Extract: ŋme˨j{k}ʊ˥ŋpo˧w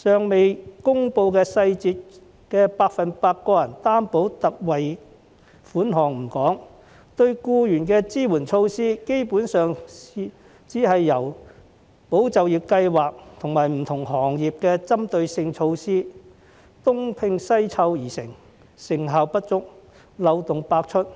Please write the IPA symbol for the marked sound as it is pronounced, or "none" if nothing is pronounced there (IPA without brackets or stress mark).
k